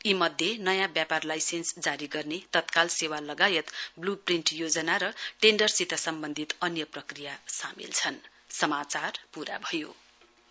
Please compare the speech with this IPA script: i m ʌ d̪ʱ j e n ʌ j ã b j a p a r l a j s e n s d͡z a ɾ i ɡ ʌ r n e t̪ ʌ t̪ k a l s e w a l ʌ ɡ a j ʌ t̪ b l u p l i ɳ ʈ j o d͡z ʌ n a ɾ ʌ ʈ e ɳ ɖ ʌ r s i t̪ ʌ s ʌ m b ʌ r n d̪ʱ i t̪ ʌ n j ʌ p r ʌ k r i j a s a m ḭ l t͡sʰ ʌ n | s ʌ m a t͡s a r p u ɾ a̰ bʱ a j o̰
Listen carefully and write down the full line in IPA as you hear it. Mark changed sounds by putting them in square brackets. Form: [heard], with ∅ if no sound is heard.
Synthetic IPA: i m ʌ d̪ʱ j e n ʌ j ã b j a p a r l a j s e n s d͡z a ɾ i ɡ ʌ r n e t̪ ʌ t̪ k a l s e w a l ʌ ɡ a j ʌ t̪ b l u p [r] i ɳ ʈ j o d͡z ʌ n a ɾ ʌ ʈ e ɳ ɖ ʌ r s i t̪ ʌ s ʌ m b ʌ [∅] n d̪ʱ i t̪ ʌ n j ʌ p r ʌ k r i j a s a m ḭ l t͡sʰ ʌ n | s ʌ m a t͡s a r p u ɾ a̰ bʱ [ʌ] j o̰